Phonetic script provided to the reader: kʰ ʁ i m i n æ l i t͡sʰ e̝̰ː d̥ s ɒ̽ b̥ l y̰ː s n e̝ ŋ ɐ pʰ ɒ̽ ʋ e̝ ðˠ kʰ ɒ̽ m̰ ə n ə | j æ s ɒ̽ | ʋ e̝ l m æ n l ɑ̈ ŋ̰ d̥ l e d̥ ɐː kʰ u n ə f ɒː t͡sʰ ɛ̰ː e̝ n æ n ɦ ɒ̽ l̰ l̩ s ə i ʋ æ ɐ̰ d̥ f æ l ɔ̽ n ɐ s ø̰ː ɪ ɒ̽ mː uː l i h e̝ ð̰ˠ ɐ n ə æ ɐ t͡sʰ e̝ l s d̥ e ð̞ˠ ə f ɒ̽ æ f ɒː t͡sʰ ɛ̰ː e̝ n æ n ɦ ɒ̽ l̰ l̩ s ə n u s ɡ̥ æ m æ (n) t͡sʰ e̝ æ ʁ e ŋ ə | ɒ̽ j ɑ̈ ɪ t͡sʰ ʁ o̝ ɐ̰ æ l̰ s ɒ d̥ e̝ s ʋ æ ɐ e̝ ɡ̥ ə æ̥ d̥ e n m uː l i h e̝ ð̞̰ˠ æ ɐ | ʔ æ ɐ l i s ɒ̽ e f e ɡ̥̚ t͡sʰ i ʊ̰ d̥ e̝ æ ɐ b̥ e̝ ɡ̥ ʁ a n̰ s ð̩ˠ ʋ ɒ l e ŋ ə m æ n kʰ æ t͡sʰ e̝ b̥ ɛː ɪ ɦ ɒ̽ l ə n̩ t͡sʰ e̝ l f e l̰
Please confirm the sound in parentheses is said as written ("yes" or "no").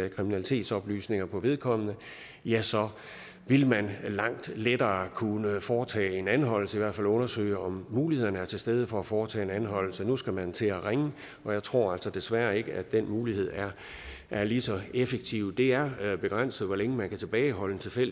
yes